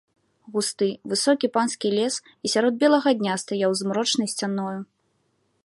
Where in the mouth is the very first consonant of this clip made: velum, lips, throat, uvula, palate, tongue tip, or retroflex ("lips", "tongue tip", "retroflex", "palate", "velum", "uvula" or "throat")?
velum